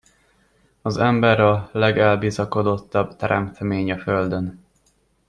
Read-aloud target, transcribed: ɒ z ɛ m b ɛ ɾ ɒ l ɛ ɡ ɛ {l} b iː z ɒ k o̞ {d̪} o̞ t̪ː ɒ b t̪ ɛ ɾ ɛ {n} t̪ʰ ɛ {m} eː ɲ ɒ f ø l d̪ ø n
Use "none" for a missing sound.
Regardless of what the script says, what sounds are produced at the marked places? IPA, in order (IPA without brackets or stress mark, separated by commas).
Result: l, d̪, m, m